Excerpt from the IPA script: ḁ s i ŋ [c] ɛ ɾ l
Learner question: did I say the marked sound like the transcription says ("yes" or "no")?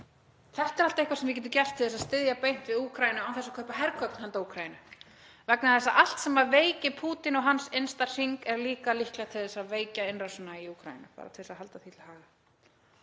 no